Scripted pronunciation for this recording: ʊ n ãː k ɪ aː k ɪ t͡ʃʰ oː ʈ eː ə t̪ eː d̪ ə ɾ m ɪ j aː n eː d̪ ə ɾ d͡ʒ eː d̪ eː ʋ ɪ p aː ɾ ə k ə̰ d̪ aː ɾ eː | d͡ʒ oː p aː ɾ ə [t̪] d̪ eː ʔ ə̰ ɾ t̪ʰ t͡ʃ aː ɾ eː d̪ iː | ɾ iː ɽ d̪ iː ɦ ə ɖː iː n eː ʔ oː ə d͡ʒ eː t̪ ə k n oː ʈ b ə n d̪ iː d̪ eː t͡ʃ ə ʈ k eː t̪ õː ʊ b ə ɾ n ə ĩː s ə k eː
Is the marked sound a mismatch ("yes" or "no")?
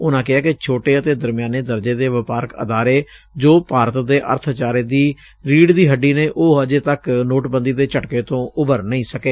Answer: no